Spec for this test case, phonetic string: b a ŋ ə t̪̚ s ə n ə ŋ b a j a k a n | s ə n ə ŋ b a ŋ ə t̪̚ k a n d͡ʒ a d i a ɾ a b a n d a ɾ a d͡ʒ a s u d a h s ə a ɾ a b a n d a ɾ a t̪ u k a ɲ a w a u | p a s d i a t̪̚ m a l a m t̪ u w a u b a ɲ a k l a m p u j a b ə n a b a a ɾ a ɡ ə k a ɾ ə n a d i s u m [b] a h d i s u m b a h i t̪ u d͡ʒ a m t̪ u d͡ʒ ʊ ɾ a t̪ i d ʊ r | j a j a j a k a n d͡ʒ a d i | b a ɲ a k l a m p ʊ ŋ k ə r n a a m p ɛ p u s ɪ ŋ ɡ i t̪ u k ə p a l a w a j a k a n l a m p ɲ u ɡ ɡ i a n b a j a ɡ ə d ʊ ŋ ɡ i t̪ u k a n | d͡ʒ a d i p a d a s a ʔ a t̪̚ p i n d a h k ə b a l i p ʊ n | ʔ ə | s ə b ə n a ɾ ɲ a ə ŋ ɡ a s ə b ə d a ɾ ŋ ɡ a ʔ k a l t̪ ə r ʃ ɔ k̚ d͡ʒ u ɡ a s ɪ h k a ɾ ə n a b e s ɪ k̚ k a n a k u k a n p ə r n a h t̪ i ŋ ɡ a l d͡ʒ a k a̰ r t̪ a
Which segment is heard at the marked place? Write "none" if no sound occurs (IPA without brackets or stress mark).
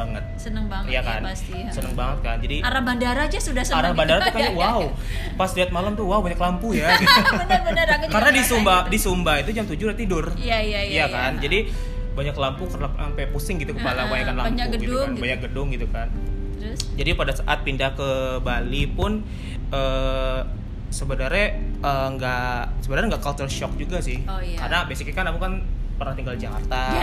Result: b